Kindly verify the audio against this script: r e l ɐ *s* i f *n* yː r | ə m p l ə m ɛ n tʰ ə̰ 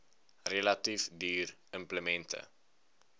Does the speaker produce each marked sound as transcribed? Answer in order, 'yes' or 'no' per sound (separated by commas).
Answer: no, no